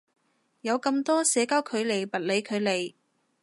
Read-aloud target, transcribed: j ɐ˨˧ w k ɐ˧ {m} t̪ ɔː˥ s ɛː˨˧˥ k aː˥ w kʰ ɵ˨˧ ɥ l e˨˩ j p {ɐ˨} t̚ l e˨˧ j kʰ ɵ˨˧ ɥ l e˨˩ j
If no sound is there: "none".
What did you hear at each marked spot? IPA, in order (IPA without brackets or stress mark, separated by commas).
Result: m, ɐ˨